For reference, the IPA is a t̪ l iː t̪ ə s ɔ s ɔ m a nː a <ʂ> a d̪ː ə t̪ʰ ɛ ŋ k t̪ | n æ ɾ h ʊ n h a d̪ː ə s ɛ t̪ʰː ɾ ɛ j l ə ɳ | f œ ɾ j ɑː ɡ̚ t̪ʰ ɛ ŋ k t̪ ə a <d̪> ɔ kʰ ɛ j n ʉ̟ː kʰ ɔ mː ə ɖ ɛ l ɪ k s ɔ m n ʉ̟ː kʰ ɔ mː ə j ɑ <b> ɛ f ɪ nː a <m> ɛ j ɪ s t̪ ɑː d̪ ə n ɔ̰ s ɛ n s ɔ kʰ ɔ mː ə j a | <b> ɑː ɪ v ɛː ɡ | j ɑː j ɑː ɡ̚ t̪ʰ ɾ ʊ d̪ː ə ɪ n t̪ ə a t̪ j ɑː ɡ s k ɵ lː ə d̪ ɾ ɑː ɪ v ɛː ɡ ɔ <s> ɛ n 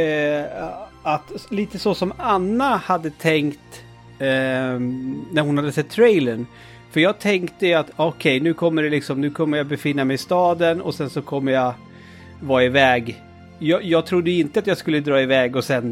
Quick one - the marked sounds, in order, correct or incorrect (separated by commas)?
incorrect, incorrect, correct, correct, incorrect, correct